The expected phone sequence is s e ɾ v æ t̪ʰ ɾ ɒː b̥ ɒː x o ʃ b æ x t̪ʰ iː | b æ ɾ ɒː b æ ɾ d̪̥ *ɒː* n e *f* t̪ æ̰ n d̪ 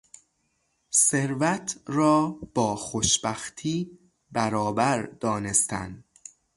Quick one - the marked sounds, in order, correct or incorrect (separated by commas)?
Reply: correct, incorrect